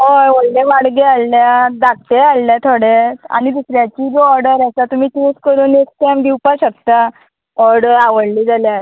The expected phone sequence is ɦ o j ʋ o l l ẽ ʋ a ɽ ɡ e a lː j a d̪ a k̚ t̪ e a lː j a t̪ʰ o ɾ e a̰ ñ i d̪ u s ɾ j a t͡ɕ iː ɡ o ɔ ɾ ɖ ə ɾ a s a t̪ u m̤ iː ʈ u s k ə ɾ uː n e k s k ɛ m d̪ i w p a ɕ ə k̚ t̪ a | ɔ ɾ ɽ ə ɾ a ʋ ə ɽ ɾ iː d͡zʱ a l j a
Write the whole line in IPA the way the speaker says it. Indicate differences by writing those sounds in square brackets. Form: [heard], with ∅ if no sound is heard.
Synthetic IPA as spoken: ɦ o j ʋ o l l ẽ ʋ a ɽ ɡ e a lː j a d̪ a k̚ t̪ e a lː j a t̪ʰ o [ɽ] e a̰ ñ i d̪ u s ɾ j a t͡ɕ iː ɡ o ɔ ɾ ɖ ə ɾ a s a t̪ u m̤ iː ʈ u s k ə ɾ uː n e k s k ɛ m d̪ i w p a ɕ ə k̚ t̪ a | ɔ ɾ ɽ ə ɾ a ʋ ə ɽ [l] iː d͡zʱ a l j a